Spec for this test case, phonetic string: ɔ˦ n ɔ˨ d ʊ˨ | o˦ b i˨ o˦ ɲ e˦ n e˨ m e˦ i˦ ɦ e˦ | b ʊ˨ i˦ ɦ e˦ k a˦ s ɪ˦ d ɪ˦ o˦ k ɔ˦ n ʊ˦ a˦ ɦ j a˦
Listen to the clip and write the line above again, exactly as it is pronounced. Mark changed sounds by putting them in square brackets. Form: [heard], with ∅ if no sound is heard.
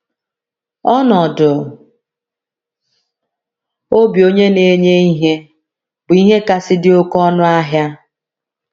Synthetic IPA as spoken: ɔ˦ n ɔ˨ d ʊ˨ | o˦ b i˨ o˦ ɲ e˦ n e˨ [ɲ] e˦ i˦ ɦ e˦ | b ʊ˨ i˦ ɦ e˦ k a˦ s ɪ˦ d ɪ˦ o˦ k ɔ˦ n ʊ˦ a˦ ɦ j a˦